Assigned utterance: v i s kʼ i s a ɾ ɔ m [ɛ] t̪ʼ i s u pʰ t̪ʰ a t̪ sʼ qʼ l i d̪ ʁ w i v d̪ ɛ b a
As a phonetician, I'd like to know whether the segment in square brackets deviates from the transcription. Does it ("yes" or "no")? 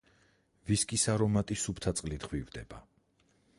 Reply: yes